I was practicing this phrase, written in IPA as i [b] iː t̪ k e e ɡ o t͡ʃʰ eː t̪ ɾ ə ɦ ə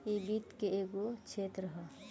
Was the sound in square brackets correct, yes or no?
yes